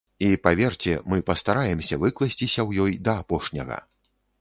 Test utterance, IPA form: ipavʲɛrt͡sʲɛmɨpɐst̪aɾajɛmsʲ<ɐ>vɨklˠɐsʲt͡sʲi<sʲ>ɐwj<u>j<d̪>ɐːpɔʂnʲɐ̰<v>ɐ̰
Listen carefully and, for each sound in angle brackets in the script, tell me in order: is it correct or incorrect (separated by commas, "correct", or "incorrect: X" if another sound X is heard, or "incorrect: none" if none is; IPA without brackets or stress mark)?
correct, correct, incorrect: ɔ, correct, incorrect: ɣ